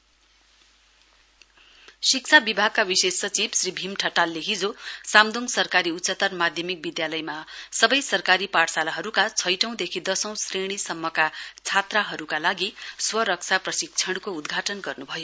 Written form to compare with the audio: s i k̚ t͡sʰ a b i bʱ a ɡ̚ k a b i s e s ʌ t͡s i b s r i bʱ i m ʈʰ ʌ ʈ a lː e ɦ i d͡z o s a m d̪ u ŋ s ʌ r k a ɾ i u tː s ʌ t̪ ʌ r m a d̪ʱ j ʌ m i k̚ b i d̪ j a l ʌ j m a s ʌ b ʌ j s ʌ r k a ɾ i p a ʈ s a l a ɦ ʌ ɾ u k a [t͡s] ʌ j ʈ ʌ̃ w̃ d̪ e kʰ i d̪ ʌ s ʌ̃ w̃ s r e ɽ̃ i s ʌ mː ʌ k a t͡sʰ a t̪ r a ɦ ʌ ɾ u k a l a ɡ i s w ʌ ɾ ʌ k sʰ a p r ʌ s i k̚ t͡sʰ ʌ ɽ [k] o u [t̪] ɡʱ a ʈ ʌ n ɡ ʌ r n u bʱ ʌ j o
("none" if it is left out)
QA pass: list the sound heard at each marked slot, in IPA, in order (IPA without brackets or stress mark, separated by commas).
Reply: t͡sʰ, k, d̪